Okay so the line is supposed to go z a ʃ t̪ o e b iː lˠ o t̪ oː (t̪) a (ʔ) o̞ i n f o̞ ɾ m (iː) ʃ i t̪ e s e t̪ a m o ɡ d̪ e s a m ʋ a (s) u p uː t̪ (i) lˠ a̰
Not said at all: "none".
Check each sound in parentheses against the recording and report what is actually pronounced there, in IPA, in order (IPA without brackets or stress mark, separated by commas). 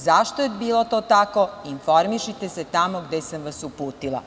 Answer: t̪, k, i, s, i